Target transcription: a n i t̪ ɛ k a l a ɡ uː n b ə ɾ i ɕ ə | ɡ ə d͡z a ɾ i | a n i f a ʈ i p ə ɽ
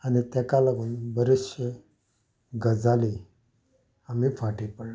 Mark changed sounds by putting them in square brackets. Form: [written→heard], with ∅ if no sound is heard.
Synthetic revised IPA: a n i t̪ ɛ k a l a ɡ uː n b ə ɾ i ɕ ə | ɡ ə d͡z a [ɾ→l] i | a [n→m] i f a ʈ i p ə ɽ